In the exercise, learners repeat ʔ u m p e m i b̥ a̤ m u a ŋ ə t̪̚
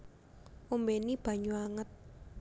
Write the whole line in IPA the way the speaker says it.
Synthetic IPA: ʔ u m b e n i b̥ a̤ ɲ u a ŋ ə t̪̚